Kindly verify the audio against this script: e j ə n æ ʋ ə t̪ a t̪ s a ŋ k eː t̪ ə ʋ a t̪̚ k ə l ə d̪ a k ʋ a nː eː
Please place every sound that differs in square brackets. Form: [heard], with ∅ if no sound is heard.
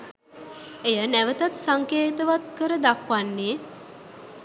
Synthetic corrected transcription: e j ə n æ ʋ ə t̪ a t̪ s a ŋ k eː t̪ ə ʋ a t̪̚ k ə [ɾ] ə d̪ a k ʋ a nː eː